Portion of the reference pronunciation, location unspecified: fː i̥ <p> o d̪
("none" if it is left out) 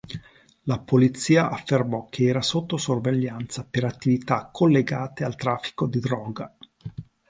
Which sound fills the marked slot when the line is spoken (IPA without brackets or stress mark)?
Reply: k